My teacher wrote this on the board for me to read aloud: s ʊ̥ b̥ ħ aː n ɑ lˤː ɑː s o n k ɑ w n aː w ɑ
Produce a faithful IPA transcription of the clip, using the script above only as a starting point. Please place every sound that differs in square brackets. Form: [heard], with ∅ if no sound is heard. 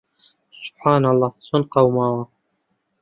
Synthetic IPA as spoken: s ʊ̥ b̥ ħ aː n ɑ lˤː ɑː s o n [q] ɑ w [m] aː w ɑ